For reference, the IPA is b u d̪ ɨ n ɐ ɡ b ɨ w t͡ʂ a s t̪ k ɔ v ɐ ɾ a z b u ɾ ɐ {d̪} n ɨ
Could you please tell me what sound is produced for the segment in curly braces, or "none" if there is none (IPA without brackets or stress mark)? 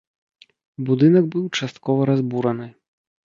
none